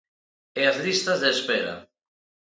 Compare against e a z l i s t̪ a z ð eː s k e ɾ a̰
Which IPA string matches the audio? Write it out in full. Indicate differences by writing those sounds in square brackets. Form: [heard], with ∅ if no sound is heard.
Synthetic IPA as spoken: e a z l i s t̪ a z ð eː s [p] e ɾ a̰